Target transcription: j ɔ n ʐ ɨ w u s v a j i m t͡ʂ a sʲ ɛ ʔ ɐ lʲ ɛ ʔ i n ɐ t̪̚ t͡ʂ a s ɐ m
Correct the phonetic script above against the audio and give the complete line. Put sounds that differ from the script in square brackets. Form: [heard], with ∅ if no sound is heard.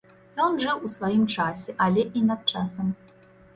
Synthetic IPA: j ɔ n ʐ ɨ w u s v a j i m t͡ʂ a sʲ ɛ ʔ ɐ lʲ ɛ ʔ i n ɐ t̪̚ t͡ʂ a s ɐ m